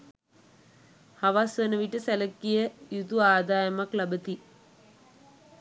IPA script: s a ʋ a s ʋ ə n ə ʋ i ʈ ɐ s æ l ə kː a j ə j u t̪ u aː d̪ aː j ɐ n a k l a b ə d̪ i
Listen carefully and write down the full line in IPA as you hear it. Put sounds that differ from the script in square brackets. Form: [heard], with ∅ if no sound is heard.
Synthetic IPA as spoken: [h] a ʋ a s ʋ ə n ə ʋ i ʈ [ə] s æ l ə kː [i] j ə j u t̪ u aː d̪ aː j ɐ [m] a k l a b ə [t̪] i